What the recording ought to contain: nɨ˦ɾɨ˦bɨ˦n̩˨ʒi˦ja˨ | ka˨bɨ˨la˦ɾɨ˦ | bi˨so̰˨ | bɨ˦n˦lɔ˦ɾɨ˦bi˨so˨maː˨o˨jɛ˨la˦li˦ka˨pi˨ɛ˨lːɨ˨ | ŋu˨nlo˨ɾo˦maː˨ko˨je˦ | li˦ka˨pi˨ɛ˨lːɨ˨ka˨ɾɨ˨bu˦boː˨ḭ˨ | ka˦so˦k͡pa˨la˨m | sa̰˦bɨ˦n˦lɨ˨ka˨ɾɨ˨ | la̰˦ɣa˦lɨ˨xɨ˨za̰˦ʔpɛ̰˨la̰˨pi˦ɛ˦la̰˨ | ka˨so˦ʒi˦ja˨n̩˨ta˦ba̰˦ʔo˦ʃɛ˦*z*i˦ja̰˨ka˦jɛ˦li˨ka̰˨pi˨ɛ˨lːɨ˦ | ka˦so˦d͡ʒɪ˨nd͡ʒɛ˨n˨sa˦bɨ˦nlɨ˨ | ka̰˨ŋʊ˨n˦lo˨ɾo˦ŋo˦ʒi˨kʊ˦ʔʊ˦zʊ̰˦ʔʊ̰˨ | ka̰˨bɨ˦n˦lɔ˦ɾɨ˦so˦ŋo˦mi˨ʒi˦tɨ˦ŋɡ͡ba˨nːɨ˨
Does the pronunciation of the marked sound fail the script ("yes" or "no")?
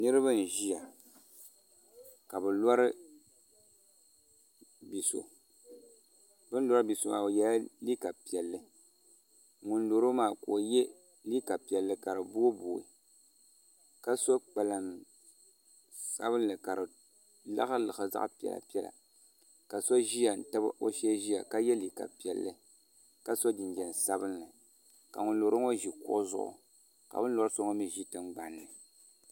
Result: yes